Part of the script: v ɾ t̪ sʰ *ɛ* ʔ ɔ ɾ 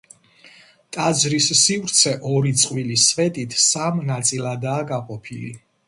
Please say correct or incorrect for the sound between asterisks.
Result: correct